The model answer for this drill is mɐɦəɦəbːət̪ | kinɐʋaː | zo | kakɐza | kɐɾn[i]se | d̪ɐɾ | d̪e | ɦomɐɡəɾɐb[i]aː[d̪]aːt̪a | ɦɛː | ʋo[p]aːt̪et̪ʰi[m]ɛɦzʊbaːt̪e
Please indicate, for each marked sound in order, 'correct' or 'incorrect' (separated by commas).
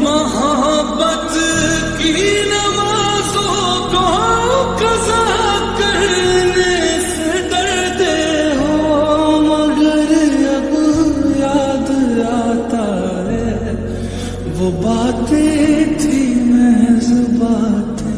incorrect, incorrect, correct, incorrect, correct